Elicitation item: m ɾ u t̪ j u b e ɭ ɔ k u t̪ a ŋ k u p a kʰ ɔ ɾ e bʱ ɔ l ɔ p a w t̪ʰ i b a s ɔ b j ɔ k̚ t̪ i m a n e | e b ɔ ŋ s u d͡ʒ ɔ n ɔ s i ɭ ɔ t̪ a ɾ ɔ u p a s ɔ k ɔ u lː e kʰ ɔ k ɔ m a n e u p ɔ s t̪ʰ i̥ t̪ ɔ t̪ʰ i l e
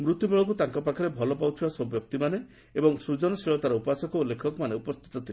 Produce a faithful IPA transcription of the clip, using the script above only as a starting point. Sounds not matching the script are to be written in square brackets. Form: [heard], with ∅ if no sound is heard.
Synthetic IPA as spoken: m ɾ u t̪ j u b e ɭ ɔ k u t̪ a ŋ k [ɔ] p a kʰ ɔ ɾ e bʱ ɔ l ɔ p a w t̪ʰ i b a s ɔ b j ɔ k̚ t̪ i m a n e | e b ɔ ŋ s u d͡ʒ ɔ n ɔ s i ɭ ɔ t̪ a ɾ ɔ u p a s ɔ k ɔ u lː e kʰ ɔ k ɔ m a n e u p ɔ s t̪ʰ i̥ t̪ ɔ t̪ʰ i l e